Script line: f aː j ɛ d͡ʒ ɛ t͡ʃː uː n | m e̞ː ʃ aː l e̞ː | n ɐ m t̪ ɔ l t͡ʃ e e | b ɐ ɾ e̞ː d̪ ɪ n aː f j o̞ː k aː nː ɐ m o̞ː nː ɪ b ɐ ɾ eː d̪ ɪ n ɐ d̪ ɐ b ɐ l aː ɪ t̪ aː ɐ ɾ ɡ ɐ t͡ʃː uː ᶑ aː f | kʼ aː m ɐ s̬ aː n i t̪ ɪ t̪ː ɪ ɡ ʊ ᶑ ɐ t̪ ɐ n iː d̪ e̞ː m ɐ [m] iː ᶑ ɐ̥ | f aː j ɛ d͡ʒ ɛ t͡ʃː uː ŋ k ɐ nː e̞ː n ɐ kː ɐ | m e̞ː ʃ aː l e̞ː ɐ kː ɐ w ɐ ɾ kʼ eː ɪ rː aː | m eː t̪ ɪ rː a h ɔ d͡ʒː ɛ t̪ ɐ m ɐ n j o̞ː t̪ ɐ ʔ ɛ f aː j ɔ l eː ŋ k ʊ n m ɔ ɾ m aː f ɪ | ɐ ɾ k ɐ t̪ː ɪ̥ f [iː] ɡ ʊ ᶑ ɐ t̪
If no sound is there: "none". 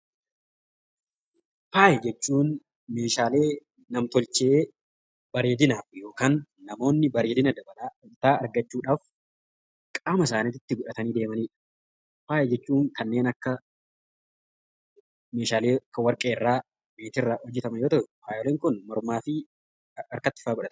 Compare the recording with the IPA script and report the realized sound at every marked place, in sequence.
n, aː

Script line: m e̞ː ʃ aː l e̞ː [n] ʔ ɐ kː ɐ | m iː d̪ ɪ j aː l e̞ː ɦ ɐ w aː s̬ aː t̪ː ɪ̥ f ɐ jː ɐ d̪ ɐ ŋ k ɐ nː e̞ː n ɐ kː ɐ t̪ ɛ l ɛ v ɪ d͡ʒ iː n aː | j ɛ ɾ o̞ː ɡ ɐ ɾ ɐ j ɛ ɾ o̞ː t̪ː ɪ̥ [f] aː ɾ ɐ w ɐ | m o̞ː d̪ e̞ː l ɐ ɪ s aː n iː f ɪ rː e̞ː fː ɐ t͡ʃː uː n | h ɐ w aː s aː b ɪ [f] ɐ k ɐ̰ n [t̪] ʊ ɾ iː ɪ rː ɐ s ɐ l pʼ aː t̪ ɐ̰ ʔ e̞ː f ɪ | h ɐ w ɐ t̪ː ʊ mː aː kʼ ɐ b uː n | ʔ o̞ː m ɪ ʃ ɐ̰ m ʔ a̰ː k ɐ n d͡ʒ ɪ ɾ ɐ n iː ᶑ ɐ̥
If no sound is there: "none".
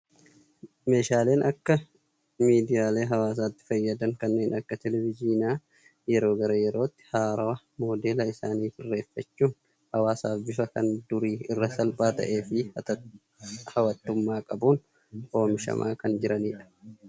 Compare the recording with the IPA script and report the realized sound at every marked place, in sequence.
n, h, f, d̪

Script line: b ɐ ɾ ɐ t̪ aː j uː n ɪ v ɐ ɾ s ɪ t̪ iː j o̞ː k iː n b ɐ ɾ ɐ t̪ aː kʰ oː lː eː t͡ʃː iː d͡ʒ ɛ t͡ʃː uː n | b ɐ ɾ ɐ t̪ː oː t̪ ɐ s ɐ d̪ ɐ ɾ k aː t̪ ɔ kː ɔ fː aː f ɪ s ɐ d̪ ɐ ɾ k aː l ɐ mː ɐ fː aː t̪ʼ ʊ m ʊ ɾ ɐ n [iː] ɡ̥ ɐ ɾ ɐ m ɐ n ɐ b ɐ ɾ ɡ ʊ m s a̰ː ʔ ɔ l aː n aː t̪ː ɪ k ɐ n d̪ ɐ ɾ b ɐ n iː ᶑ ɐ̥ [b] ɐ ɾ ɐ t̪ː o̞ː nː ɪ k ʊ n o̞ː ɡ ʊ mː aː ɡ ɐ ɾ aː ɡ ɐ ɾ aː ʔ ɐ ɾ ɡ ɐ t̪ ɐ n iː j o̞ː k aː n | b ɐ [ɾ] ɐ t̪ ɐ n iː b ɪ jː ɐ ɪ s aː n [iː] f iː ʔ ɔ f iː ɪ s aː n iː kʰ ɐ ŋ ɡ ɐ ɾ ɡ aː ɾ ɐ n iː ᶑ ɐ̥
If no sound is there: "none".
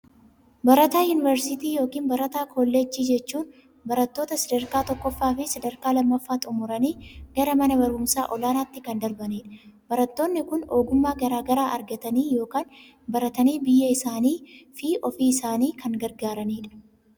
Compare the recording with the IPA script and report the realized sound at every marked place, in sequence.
iː, b, ɾ, iː

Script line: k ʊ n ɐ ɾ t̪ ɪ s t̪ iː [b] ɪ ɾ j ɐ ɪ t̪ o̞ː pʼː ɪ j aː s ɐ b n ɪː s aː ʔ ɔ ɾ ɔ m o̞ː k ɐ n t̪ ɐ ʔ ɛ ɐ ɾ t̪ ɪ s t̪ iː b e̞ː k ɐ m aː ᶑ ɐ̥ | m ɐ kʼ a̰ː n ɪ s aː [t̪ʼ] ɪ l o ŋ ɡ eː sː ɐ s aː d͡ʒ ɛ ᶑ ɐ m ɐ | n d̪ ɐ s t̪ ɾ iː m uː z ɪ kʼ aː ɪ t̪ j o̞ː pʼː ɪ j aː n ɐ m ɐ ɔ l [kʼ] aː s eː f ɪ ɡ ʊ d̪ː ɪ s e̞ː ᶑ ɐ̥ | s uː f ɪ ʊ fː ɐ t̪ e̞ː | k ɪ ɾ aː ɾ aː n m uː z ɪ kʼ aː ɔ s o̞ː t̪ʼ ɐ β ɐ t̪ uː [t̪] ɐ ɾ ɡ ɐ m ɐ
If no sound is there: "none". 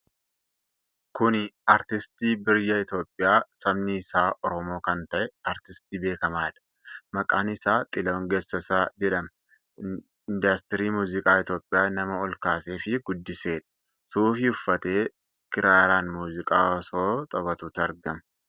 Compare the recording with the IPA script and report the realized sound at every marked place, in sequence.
b, t̪ʼ, k, t̪

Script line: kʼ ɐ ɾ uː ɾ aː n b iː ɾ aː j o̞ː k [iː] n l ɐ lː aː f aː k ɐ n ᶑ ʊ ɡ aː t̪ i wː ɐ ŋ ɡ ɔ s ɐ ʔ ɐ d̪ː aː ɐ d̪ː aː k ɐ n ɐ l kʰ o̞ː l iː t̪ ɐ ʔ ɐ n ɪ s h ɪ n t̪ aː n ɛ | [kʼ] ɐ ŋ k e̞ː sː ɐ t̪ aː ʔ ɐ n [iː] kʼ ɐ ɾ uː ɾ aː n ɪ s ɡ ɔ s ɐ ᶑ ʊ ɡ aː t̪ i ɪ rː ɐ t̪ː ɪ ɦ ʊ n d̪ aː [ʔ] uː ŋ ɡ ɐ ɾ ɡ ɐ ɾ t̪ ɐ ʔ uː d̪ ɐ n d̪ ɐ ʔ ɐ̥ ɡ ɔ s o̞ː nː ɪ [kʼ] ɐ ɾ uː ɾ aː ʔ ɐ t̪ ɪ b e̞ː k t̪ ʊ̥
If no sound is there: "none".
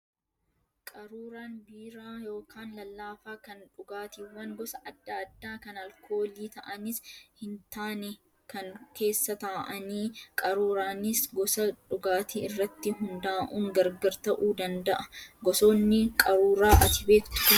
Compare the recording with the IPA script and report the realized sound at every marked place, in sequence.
aː, k, iː, ʔ, kʼ

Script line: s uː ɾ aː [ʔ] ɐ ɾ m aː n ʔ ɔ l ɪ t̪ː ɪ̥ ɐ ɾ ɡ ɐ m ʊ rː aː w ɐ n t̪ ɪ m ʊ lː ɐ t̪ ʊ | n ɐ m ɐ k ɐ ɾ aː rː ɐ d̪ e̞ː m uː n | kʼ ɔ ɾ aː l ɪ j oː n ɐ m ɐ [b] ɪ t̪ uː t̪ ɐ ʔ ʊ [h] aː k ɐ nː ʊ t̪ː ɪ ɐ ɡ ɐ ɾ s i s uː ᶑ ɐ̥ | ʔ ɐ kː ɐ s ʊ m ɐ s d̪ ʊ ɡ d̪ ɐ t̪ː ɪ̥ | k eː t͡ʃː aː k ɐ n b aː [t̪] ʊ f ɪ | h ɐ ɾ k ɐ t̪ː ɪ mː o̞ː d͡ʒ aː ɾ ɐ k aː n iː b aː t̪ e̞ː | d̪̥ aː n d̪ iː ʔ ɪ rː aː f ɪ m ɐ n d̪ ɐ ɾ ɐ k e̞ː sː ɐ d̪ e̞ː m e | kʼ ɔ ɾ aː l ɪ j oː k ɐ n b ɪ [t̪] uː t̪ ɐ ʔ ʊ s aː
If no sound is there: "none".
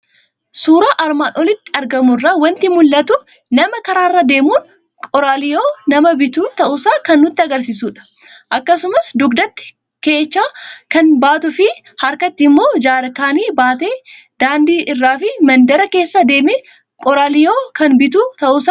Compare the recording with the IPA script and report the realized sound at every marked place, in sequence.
ʔ, b, s, t̪, t̪

